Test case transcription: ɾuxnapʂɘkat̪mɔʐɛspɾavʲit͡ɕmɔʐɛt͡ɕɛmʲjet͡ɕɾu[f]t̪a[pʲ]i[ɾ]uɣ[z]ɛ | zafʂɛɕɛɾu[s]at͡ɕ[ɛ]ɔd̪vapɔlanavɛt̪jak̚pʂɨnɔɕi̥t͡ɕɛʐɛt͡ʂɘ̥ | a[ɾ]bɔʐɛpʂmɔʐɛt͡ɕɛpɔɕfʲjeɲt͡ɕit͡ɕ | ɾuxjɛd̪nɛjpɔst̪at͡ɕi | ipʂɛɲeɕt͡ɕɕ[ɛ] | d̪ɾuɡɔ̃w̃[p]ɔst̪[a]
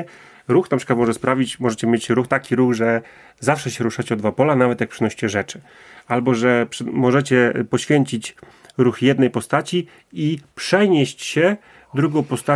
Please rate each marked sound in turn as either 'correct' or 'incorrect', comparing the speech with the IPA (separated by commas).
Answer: incorrect, incorrect, correct, incorrect, incorrect, correct, incorrect, correct, correct, correct